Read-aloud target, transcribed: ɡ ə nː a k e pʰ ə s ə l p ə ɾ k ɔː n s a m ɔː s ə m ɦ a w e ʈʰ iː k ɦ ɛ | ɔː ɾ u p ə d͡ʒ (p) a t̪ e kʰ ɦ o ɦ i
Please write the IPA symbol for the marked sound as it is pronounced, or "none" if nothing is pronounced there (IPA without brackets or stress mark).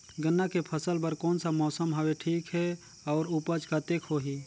k